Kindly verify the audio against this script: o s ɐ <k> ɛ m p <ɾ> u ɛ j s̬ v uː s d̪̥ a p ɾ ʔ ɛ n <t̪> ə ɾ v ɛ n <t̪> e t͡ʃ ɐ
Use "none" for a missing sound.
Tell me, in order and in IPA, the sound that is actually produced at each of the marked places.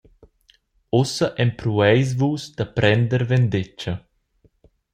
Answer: ʔ, ɾ, d̪, d̪

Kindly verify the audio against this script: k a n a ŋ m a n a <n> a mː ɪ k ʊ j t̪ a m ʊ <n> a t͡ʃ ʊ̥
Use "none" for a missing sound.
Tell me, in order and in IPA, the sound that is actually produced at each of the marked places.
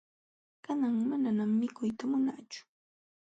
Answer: n, n

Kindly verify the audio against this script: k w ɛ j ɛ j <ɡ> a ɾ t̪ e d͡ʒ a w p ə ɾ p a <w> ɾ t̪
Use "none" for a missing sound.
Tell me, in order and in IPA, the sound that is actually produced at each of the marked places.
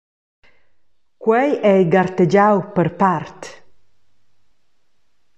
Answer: ɡ, none

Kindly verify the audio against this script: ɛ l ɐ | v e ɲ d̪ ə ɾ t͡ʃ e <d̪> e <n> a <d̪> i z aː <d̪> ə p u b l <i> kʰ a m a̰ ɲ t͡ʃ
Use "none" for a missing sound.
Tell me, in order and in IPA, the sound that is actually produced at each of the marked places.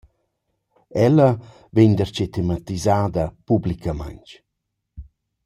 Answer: t̪, m, t̪, d̪, i

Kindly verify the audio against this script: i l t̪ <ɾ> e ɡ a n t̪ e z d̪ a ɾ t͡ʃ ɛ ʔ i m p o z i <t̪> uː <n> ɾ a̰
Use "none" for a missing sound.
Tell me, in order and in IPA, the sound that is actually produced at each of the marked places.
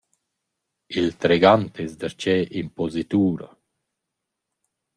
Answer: ɾ, t̪, none

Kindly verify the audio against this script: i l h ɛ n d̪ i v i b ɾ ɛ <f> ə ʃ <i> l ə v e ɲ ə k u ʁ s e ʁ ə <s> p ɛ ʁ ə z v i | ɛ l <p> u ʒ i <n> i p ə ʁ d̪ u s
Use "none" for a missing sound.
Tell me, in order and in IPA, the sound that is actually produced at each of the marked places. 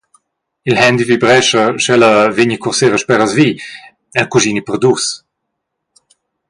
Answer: ʃ, ɛ, ʃ, k, n

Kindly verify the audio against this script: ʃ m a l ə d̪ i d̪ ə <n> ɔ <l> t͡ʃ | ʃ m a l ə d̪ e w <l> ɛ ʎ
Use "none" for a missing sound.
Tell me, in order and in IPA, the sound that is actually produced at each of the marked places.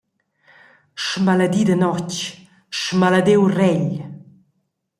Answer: n, none, r

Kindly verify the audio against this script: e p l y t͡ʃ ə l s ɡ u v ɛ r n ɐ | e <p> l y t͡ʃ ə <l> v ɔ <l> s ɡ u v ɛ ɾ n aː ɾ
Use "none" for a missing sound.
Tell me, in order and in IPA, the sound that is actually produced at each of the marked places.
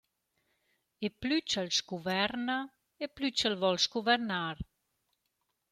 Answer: p, l, l

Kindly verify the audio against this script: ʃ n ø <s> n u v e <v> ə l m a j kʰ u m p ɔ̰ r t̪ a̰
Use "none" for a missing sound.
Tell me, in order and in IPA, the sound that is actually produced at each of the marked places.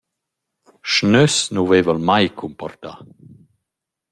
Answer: s, v

